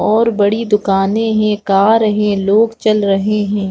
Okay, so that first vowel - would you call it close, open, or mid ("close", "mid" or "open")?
mid